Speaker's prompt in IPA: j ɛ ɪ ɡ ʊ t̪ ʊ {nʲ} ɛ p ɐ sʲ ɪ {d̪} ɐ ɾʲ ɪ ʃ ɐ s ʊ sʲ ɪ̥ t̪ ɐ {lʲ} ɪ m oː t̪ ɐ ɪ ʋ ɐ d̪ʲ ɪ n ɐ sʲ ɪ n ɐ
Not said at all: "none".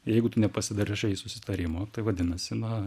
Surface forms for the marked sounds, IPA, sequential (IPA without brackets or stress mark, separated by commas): nʲ, d̪, ɾʲ